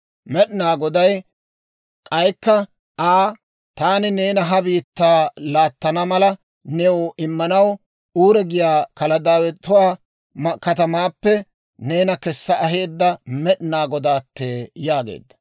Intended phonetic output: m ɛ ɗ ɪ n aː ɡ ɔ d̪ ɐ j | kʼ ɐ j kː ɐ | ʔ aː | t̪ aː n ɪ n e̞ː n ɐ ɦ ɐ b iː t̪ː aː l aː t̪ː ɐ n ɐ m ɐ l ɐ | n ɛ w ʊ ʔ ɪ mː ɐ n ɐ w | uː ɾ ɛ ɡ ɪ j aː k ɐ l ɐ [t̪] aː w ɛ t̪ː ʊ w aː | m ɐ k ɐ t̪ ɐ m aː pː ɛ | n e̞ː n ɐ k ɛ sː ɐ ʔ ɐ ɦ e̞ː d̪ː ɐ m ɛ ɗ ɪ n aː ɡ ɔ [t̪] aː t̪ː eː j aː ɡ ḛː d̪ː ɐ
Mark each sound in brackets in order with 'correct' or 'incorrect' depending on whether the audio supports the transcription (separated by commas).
incorrect, incorrect